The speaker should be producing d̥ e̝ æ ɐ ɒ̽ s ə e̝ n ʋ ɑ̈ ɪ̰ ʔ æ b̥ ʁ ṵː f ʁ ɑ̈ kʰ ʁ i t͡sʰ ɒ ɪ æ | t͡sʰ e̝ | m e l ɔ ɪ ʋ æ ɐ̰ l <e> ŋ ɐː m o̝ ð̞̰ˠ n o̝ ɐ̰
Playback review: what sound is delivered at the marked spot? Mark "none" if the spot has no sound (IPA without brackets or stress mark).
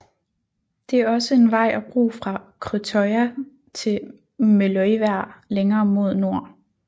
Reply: e